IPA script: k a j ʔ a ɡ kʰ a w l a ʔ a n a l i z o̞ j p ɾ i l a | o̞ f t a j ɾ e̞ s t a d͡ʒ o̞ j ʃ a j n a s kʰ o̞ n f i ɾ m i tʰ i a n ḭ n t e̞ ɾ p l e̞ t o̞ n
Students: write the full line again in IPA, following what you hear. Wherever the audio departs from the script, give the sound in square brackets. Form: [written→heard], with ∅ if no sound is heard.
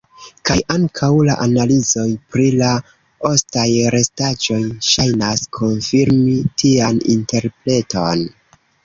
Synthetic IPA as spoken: k a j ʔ a [ɡ→ŋ] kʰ a w l a ʔ a n a l i z o̞ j p ɾ i l a | o̞ [f→s] t a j ɾ e̞ s t a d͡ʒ o̞ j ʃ a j n a s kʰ o̞ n f i ɾ m i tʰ i a n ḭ n t e̞ ɾ p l e̞ t o̞ n